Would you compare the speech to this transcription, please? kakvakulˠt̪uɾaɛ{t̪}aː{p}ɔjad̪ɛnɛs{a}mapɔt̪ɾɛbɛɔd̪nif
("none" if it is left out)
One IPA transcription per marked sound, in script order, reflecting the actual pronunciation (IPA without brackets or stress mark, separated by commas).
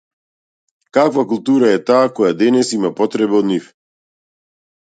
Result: t̪, k, i